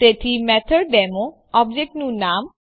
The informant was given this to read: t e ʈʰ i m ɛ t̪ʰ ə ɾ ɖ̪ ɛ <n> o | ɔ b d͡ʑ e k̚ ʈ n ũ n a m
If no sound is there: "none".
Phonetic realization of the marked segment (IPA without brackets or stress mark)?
m